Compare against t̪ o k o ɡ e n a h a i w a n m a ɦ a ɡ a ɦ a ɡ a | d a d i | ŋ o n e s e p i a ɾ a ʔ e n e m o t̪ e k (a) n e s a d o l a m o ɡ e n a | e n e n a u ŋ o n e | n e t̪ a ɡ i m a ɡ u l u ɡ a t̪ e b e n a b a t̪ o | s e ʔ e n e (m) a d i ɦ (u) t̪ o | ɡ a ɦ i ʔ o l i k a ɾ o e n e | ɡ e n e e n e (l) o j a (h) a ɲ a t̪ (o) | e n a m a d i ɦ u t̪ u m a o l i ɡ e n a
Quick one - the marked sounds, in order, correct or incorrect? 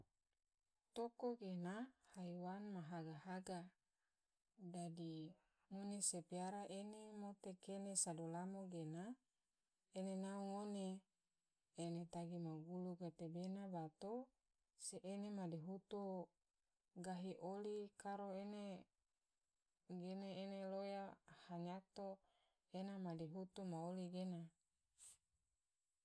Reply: incorrect: e, correct, correct, correct, correct, correct

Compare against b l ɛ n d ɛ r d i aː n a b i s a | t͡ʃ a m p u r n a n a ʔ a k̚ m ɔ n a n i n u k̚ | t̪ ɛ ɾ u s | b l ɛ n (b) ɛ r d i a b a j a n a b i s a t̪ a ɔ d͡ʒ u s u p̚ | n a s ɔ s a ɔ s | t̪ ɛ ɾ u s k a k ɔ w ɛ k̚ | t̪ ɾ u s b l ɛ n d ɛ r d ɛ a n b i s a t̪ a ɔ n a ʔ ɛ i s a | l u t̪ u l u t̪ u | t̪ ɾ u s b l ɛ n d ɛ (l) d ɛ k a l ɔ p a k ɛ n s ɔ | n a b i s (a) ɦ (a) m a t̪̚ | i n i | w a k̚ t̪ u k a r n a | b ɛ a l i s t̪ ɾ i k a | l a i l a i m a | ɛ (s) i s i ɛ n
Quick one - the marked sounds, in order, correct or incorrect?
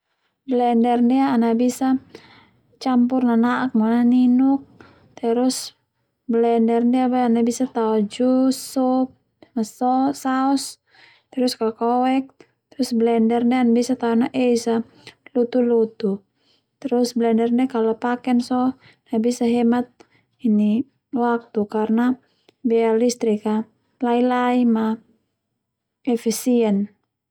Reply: incorrect: d, incorrect: r, correct, incorrect: ɛ, incorrect: f

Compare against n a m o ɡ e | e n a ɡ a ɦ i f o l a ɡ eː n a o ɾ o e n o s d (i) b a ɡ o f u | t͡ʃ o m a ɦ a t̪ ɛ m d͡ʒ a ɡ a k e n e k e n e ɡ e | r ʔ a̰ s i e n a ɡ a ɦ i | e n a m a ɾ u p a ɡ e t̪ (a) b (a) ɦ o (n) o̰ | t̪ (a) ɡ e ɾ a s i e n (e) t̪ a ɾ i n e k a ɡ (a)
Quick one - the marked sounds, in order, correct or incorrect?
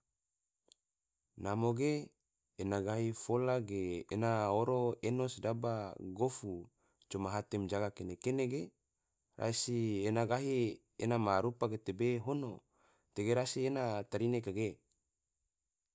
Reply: incorrect: a, incorrect: e, incorrect: e, correct, incorrect: e, incorrect: a, incorrect: e

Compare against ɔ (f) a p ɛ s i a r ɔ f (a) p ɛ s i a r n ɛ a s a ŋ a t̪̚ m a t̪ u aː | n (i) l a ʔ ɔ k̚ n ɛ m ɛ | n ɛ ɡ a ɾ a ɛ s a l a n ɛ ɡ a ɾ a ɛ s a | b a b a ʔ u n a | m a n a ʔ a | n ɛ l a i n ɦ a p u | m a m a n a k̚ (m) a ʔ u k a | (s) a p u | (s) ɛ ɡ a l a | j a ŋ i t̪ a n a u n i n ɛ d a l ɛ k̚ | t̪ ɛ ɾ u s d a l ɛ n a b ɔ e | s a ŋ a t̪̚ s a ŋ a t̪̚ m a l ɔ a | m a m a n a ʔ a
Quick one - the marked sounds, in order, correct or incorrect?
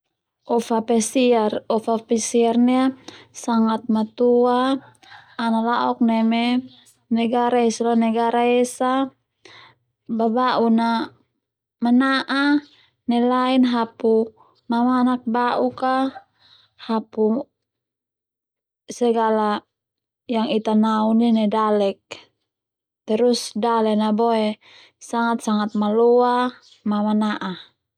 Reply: correct, correct, incorrect: a, incorrect: b, incorrect: h, correct

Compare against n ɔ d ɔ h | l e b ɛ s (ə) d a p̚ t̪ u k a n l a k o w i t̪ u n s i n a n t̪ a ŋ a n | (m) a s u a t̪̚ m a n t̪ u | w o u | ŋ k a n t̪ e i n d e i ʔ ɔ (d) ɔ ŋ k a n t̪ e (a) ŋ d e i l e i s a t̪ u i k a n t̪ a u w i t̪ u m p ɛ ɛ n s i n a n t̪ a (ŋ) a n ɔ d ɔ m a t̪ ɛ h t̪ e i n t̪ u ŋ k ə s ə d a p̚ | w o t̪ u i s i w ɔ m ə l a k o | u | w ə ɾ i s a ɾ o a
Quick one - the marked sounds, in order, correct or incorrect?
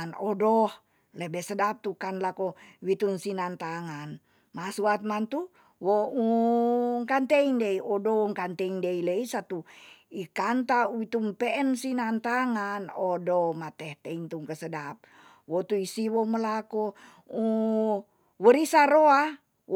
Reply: correct, correct, correct, incorrect: i, correct

